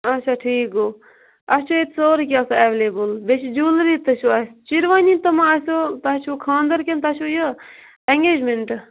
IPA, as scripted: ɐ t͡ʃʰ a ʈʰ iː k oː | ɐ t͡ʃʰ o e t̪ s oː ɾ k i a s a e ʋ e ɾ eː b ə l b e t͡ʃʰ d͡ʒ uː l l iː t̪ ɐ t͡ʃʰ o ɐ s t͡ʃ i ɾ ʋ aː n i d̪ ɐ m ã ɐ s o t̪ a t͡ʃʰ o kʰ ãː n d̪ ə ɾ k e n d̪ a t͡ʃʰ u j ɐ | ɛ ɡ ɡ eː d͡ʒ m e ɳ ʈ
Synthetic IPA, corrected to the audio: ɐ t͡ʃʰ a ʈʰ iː k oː | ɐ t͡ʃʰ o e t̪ s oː ɾ k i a s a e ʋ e l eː b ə l b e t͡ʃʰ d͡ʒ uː l ɾ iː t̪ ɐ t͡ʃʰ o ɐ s t͡ʃ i ɾ ʋ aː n i t̪ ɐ m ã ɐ s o t̪ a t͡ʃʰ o kʰ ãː n d̪ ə ɾ k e n t̪ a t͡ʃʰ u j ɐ | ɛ ŋ ɡ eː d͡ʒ m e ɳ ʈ